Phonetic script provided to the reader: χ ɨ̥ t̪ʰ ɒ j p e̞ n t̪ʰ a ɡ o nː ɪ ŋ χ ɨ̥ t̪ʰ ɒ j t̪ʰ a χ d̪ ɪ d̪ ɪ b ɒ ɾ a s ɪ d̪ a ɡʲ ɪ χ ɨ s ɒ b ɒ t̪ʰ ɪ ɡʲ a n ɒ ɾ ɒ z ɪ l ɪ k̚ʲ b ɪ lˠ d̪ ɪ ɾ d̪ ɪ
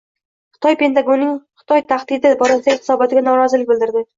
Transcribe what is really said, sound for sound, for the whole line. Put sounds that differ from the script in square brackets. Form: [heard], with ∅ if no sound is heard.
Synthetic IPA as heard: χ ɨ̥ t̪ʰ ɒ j p e̞ n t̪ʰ a ɡ o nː ɪ ŋ χ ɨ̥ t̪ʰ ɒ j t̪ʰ a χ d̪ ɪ d̪ ɪ b ɒ ɾ a s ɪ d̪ a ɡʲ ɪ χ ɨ s ɒ b ɒ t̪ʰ ɪ ɡʲ a n ɒ ɾ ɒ z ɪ l ɪ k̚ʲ b ɪ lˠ d̪ ɪ ɾ d̪ ɪ